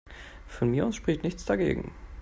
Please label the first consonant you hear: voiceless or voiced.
voiceless